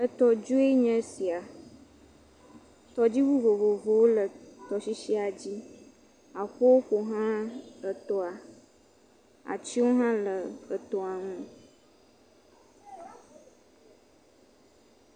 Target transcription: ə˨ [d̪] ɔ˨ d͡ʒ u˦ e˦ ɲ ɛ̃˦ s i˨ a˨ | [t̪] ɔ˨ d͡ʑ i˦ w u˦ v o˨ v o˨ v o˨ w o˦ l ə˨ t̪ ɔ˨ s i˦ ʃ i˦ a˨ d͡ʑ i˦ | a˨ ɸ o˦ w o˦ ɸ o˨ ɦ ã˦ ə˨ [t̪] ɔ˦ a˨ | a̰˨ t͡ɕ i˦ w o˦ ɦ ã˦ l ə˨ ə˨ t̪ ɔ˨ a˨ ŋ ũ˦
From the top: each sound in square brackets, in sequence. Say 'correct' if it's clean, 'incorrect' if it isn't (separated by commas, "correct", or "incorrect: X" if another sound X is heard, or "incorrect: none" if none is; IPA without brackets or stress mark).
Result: incorrect: t̪, correct, correct